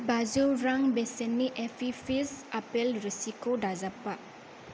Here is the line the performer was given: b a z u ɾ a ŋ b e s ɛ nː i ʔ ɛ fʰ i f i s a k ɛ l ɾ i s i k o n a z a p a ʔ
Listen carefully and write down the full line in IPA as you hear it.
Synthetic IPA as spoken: b a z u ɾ a ŋ b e s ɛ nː i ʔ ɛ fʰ i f i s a p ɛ l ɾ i s i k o d a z a p a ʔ